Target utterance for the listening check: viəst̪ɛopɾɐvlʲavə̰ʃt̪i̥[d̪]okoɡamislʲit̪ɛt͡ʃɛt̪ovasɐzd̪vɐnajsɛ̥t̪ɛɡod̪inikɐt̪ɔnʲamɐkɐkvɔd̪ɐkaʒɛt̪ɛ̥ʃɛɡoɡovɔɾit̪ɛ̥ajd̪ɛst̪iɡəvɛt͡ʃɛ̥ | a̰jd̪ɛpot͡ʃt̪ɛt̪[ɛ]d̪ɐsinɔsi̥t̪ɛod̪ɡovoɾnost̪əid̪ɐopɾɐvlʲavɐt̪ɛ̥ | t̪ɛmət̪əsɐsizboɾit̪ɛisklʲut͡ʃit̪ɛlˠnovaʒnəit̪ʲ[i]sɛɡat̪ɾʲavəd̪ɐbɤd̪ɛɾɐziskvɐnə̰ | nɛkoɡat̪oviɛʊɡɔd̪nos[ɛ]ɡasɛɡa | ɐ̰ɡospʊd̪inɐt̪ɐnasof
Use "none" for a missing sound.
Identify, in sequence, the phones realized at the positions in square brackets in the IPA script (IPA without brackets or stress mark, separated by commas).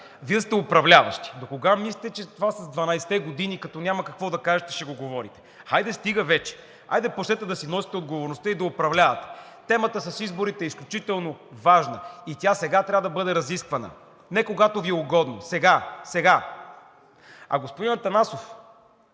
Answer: d̪, ɛ, a, ɛ